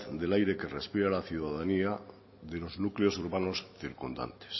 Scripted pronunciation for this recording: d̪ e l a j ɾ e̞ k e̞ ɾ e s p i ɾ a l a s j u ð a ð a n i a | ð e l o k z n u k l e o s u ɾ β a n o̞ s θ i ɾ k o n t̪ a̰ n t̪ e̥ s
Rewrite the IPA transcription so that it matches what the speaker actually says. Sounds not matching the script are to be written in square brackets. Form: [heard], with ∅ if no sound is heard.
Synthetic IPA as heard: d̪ e l a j ɾ e̞ k e̞ [r] e s p i ɾ a l a [θ] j u ð a ð a n i a | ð e l o [∅] z n u k l e o s u ɾ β a n o̞ s θ i ɾ k [u] n [d̪] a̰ n t̪ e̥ s